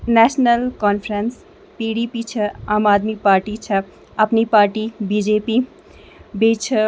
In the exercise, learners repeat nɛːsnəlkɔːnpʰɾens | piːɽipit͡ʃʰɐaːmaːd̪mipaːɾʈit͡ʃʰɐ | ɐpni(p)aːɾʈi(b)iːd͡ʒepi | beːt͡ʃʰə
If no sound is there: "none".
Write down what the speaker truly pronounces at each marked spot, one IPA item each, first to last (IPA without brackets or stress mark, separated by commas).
p, b